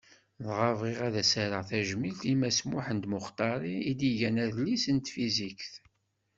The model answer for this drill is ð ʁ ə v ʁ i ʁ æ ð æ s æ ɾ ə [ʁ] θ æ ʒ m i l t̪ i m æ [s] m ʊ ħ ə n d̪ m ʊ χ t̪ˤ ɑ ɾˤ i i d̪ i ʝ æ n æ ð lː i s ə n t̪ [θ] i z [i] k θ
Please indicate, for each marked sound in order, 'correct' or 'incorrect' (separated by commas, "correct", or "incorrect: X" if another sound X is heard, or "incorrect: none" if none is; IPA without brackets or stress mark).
correct, correct, incorrect: f, correct